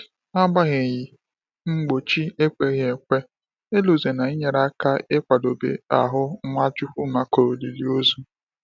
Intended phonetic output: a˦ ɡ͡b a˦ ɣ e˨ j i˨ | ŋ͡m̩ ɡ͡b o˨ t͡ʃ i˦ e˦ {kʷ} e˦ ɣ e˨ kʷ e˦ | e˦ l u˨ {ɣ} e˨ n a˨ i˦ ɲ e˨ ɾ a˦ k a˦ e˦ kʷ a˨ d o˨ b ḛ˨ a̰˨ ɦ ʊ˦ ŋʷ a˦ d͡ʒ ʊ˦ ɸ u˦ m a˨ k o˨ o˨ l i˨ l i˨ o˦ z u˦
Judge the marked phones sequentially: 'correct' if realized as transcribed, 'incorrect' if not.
correct, incorrect

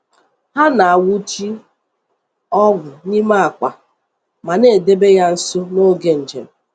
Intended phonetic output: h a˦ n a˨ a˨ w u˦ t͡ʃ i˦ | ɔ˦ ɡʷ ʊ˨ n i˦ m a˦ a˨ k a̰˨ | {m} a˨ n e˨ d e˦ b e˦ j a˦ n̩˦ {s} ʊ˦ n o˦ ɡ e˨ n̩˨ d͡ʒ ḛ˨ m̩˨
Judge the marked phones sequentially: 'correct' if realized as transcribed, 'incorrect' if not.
correct, correct

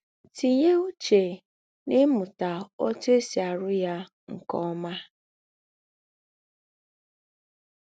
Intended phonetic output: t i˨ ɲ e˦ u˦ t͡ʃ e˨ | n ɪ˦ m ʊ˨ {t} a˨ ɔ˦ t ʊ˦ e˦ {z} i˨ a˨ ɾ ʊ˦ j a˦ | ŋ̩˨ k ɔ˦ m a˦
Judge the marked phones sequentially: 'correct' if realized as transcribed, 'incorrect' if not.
correct, incorrect

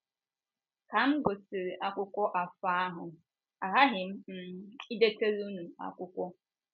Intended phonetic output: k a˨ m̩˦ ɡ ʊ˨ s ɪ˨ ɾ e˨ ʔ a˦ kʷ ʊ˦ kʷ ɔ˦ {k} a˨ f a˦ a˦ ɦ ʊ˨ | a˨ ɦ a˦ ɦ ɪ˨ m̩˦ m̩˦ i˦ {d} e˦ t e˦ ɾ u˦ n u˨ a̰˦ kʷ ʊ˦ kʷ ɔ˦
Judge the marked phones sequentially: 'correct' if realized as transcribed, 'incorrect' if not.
incorrect, correct

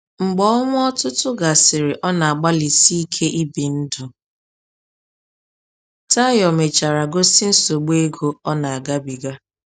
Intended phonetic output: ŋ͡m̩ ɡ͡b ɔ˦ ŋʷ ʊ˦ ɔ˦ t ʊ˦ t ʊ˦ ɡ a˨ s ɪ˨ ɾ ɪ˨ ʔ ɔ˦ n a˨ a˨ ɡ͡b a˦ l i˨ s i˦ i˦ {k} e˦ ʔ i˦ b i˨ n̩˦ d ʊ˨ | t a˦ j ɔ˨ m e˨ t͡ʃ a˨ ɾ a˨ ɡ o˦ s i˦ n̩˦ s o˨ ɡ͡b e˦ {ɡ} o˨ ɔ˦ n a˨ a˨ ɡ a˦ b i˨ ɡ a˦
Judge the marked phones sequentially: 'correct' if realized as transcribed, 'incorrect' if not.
incorrect, correct

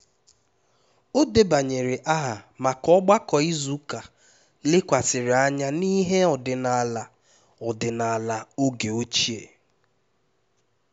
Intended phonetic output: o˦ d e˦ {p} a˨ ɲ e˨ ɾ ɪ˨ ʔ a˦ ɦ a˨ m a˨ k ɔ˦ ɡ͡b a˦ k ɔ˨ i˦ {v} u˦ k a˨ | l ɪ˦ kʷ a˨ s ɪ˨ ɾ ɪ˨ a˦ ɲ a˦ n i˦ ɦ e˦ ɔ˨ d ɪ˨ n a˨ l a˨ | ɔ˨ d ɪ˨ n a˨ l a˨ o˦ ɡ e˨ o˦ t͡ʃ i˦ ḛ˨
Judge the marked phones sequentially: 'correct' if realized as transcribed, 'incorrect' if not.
incorrect, incorrect

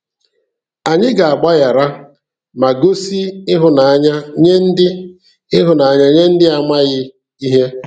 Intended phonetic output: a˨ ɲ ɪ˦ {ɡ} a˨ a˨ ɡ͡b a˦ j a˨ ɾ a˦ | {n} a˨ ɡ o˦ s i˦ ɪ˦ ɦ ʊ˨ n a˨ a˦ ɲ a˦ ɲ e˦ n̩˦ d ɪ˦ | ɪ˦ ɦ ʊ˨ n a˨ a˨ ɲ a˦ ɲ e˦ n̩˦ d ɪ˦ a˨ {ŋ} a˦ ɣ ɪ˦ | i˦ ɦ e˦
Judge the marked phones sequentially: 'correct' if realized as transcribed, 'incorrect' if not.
correct, incorrect, incorrect

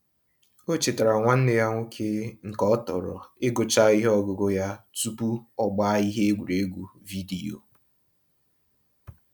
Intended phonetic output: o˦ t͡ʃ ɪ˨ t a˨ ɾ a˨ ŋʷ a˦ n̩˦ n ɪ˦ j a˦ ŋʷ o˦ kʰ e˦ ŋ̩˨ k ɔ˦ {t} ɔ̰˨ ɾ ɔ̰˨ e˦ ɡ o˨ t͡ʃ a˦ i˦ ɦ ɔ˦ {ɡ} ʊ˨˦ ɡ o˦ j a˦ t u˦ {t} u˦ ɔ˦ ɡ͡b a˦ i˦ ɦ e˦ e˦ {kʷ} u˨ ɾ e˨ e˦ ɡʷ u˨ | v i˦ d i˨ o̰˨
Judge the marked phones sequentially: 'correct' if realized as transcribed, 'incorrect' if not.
correct, correct, incorrect, incorrect

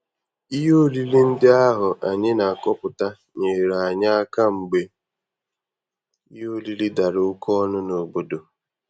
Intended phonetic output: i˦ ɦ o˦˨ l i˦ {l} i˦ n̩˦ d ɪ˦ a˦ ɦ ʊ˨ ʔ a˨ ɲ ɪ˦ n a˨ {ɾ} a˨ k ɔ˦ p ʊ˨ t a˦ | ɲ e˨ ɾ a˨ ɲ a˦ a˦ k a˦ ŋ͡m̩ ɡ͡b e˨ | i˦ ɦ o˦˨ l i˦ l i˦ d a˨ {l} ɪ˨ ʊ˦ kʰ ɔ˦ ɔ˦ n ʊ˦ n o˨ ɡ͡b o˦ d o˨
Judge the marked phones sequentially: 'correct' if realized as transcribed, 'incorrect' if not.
correct, incorrect, incorrect

